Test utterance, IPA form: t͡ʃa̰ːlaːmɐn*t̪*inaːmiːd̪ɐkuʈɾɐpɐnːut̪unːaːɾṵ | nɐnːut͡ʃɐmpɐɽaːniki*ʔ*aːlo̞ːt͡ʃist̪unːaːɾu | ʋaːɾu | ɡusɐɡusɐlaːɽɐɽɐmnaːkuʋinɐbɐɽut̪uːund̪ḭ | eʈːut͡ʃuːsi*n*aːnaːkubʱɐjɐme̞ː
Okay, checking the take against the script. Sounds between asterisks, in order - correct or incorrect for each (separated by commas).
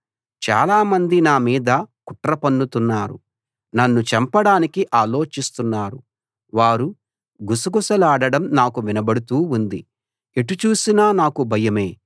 incorrect, correct, correct